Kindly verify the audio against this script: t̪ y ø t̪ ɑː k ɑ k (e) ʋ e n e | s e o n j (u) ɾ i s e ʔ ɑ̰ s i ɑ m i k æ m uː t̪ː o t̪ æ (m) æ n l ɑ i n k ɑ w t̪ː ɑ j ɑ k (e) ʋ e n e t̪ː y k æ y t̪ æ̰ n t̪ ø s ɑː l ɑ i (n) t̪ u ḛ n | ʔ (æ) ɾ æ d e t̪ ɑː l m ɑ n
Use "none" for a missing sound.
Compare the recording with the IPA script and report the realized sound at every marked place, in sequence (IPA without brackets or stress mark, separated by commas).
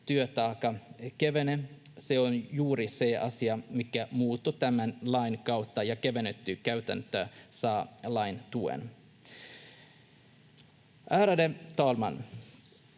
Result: e, uː, m, e, n, æː